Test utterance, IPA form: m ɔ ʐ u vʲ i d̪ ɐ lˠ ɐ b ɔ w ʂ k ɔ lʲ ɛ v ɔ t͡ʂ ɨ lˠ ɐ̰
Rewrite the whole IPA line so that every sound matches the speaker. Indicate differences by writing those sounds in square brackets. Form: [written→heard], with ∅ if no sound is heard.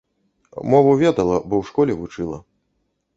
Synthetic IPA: m ɔ [ʐ→v] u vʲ [i→ɛ] d̪ ɐ lˠ ɐ b ɔ w ʂ k ɔ lʲ ɛ v [ɔ→u] t͡ʂ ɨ lˠ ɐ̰